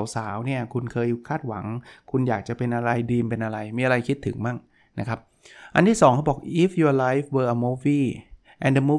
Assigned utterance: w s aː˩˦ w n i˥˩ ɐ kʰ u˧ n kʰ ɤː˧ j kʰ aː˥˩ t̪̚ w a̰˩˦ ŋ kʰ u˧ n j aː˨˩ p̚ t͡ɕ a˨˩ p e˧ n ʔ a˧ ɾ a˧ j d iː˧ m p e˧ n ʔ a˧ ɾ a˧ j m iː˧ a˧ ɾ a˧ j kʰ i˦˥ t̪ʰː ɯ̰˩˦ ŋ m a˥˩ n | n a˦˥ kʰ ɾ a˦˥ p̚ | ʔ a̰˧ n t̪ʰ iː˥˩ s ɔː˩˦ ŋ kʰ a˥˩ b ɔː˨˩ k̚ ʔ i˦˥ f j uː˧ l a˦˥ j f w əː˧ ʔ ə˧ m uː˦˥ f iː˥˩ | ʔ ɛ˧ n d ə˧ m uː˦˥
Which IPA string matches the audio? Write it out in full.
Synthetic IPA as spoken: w s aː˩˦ w n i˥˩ ɐ kʰ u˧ n kʰ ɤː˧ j kʰ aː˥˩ t̪̚ w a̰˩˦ ŋ kʰ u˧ n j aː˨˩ k̚ t͡ɕ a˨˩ p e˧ n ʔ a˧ ɾ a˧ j d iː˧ m p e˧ n ʔ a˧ ɾ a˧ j m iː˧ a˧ ɾ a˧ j kʰ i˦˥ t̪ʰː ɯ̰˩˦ ŋ m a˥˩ ŋ | n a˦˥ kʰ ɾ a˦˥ p̚ | ʔ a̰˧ n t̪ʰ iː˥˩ s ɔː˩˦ ŋ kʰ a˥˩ b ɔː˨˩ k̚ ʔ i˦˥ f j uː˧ l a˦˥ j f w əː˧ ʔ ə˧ m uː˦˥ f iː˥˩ | ʔ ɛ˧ n d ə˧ m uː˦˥